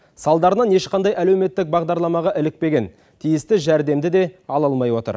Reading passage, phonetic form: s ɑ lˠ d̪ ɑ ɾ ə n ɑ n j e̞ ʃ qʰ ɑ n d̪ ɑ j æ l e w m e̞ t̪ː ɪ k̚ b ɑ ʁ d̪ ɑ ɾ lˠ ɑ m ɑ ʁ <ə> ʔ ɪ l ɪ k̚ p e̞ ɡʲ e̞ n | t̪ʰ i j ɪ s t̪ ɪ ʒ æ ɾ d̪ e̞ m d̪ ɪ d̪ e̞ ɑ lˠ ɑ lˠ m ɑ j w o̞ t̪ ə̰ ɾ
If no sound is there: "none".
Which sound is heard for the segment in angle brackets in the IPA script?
ɑ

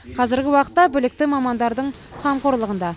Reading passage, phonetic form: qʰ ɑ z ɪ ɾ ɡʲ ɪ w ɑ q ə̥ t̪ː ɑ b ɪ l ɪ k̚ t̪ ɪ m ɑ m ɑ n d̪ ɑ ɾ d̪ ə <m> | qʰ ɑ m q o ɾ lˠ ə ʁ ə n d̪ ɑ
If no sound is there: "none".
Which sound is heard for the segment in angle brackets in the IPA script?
ɴ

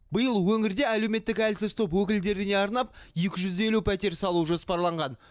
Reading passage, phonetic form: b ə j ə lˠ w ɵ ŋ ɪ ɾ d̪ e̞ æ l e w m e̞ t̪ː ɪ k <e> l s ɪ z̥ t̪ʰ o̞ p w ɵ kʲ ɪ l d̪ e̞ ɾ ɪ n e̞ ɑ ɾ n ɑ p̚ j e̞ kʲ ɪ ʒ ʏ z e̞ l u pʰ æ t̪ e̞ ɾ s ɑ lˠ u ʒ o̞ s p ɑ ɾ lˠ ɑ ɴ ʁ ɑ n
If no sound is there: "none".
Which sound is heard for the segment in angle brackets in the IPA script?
æ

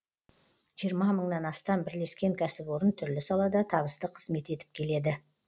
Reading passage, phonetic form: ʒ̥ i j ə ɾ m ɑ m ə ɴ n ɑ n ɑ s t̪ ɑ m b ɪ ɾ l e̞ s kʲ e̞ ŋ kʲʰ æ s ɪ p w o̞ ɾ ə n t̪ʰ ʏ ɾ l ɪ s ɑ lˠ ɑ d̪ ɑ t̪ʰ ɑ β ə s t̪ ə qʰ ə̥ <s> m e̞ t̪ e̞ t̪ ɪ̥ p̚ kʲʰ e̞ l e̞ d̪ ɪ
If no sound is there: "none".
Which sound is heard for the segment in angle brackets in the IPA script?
z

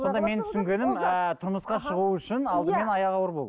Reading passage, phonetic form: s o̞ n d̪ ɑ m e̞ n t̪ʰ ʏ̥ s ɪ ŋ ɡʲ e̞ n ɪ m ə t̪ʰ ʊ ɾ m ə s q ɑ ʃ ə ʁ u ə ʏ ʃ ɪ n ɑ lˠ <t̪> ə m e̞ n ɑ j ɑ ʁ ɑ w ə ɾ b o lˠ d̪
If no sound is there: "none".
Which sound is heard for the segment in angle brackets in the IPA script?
d̪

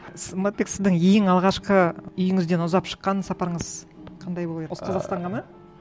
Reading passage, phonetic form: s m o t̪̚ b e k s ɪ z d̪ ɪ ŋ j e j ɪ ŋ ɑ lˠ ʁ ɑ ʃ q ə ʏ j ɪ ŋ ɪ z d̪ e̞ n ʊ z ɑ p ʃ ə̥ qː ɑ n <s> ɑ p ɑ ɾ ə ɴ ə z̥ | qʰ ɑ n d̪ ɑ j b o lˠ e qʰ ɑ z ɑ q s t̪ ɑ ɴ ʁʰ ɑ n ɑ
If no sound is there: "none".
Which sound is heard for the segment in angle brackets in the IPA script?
s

